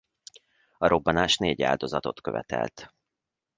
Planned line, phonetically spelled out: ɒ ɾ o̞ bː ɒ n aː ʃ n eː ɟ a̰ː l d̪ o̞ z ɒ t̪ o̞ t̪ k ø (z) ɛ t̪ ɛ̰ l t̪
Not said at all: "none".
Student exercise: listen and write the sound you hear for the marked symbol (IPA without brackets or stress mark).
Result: v